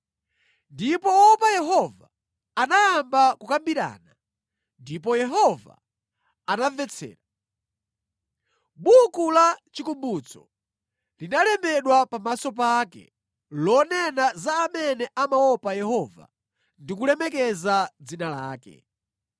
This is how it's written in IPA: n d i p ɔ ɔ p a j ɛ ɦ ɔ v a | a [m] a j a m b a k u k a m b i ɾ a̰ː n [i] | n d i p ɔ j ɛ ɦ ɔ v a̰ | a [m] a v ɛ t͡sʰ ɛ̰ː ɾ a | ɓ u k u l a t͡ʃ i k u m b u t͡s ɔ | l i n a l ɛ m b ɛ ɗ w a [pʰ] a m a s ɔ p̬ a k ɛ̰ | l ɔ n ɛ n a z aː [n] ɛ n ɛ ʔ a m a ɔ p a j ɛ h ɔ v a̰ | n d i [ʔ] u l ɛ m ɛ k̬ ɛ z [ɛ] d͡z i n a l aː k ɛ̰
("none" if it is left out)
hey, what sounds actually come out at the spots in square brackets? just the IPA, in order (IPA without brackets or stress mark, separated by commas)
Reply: n, a, n, p, m, k, a